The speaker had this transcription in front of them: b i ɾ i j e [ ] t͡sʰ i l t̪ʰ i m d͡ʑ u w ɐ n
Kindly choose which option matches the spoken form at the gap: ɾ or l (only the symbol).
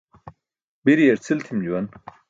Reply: ɾ